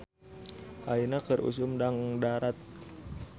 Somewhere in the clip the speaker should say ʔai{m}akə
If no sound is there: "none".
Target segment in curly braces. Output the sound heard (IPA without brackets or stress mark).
n